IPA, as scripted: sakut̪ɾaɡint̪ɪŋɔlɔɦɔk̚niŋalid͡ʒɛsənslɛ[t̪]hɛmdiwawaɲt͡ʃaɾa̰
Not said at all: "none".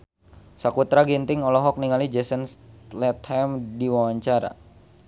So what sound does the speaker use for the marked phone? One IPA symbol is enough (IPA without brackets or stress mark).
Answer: t̪